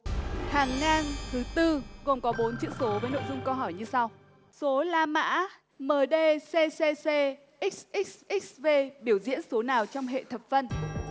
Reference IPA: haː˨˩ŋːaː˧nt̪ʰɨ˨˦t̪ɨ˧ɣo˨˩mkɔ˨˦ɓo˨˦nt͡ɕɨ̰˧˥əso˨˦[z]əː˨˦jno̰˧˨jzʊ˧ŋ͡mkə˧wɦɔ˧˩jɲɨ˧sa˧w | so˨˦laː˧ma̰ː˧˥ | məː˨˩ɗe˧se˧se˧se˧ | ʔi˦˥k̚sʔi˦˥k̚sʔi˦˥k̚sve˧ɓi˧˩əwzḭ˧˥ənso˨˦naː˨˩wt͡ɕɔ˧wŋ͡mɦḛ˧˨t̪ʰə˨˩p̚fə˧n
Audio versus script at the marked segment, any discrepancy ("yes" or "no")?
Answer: yes